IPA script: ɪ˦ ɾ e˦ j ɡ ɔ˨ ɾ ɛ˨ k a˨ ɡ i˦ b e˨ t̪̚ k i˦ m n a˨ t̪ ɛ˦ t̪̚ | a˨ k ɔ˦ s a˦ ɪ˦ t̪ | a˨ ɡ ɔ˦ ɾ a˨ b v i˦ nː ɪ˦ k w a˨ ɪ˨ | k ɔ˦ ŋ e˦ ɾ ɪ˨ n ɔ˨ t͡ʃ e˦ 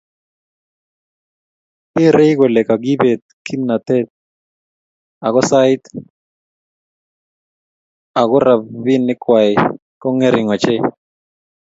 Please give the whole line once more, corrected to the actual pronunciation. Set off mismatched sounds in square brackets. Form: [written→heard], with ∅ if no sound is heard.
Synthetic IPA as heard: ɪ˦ ɾ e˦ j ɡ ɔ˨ [ɾ→l] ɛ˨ k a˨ ɡ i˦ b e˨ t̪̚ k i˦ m n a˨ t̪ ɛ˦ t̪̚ | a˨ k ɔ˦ s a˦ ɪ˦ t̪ | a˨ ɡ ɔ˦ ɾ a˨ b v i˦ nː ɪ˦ k w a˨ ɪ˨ | k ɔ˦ ŋ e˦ ɾ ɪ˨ [n→ŋ] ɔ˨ t͡ʃ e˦